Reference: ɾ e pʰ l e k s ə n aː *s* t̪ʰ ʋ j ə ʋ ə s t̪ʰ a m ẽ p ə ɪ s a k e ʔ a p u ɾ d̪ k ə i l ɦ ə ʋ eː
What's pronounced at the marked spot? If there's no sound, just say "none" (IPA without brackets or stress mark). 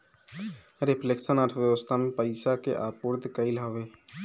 none